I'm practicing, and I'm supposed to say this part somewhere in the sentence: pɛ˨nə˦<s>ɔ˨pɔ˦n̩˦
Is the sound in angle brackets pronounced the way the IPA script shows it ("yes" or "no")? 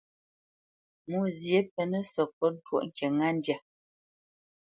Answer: yes